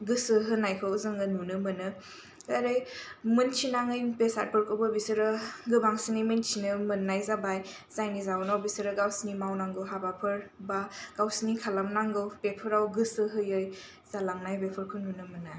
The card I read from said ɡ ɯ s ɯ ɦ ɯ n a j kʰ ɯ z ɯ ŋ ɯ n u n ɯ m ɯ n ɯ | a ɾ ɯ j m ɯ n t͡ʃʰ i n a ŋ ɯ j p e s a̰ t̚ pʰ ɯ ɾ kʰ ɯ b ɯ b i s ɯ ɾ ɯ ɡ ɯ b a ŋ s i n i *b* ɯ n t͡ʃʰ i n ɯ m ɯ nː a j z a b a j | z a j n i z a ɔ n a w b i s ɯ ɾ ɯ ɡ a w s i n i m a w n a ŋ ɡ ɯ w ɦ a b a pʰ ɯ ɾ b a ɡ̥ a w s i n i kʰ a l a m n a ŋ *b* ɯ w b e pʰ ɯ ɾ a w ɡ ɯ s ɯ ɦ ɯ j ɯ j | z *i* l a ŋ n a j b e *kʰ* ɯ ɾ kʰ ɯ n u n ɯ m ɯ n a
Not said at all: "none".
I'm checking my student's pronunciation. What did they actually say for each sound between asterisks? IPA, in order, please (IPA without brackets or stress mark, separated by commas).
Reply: m, ɡ, a, pʰ